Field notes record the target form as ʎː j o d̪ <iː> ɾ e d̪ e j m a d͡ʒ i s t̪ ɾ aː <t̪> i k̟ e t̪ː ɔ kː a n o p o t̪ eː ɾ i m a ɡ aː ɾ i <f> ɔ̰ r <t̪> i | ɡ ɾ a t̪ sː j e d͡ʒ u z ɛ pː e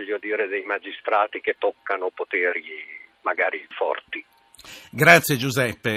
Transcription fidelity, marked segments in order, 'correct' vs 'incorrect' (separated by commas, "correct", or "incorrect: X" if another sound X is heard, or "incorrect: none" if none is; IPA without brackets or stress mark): correct, correct, correct, correct